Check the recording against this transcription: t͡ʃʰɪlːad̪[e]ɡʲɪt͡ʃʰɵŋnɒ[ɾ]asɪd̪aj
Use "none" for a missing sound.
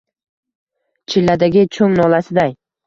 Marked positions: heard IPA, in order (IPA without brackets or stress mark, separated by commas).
a, l